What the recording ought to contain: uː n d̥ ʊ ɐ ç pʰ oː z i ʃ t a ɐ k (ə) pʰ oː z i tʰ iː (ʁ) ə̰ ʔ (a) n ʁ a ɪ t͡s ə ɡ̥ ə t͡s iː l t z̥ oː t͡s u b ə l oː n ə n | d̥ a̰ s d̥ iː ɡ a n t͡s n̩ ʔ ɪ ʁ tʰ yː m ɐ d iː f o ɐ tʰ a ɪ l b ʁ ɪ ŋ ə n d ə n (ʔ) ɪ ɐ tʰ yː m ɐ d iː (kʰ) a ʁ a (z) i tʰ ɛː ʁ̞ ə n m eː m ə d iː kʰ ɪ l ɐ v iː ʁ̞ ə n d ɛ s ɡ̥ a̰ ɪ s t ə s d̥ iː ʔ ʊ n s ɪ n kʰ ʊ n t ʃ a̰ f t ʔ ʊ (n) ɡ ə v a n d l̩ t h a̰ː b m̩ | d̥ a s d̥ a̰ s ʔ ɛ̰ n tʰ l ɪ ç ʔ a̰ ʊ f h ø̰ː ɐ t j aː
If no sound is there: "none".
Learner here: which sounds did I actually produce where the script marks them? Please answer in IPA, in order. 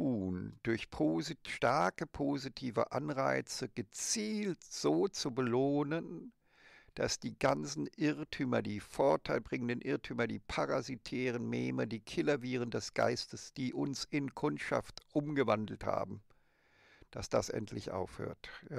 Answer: ə, v, a, ʔ, pʰ, z, m

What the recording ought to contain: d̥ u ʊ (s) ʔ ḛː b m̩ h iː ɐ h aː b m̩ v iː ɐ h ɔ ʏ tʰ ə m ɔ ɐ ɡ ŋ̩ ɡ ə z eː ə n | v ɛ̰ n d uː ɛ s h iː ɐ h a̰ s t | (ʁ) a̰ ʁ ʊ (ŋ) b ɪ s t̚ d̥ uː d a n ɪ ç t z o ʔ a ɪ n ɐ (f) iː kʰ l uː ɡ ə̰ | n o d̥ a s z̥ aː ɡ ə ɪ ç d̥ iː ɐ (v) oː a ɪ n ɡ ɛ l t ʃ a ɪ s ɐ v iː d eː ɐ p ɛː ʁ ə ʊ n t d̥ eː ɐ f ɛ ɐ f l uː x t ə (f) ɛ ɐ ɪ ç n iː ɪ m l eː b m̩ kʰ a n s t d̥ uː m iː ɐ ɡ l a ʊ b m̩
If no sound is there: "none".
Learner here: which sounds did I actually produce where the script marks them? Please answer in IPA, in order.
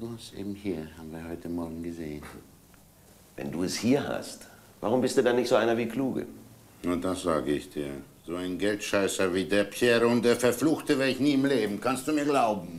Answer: s, v, m, v, z, v

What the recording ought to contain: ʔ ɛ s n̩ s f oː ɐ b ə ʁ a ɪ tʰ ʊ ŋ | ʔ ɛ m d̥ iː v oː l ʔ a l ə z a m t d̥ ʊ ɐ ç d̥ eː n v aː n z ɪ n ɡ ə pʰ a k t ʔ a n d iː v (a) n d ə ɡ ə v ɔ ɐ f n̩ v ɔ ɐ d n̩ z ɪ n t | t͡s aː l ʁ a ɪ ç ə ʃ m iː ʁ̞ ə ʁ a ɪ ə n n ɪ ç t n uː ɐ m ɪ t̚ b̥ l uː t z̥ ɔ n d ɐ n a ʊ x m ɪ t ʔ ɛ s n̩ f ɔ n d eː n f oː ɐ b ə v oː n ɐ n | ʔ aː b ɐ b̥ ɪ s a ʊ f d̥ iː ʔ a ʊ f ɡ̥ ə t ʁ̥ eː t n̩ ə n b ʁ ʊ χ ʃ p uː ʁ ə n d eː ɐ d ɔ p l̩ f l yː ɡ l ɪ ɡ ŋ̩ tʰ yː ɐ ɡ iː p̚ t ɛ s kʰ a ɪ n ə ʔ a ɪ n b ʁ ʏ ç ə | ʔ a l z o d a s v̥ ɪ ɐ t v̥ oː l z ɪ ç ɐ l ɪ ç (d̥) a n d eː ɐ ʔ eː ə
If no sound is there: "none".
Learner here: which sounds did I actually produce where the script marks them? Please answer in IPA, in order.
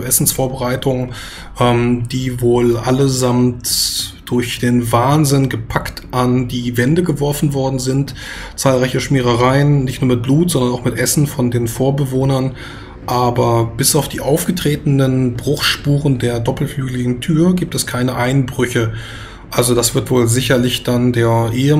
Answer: ɛ, d̥

